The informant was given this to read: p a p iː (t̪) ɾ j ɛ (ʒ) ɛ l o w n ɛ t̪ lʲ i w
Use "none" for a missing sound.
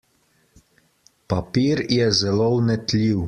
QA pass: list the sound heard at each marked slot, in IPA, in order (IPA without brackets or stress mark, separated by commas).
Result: none, z